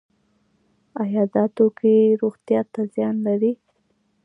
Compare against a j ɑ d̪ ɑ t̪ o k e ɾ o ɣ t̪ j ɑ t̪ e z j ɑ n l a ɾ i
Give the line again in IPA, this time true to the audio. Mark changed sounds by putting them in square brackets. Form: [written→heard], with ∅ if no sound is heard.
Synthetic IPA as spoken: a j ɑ d̪ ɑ t̪ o k e ɾ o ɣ t̪ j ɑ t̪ [e→a] z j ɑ n l a ɾ i